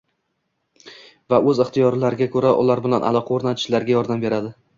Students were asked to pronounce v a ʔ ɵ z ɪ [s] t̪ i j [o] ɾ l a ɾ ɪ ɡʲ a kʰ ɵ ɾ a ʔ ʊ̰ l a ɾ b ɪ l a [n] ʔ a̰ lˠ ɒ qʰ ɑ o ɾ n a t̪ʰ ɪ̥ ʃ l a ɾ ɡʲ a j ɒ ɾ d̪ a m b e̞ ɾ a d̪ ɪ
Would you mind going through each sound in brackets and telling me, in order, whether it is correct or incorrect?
incorrect, incorrect, correct

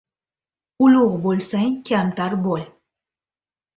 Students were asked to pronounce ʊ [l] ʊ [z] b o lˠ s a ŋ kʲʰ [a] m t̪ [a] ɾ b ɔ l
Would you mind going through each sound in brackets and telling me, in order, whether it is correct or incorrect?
correct, incorrect, correct, correct

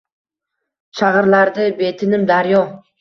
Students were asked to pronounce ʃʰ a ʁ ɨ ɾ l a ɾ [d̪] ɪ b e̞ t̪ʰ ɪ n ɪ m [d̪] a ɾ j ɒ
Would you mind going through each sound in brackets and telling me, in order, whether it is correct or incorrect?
correct, correct

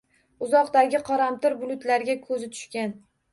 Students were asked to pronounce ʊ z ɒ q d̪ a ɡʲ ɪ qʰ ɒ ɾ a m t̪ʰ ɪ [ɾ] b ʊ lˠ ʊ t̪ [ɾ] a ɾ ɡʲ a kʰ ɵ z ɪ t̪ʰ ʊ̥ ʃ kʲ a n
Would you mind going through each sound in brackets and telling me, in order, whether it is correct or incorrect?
correct, incorrect

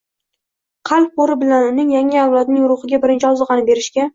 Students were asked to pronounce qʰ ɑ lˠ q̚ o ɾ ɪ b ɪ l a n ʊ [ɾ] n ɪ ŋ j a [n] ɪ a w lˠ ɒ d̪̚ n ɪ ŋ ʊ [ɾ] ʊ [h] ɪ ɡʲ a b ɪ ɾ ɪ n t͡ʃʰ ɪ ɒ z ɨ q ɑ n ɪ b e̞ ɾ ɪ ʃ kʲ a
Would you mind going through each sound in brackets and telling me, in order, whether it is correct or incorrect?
incorrect, incorrect, correct, incorrect

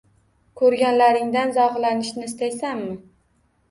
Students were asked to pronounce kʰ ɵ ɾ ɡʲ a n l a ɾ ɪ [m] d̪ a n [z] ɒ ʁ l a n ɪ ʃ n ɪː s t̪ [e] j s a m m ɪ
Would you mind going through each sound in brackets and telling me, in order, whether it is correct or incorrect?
incorrect, correct, incorrect

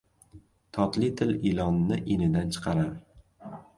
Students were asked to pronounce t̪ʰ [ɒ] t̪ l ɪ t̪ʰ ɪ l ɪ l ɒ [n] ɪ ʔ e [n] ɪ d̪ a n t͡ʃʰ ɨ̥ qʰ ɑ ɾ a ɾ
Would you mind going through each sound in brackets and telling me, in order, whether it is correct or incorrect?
correct, incorrect, correct

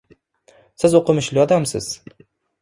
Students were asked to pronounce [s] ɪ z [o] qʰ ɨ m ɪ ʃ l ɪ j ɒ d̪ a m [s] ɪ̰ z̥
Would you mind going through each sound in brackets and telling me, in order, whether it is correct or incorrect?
correct, correct, correct

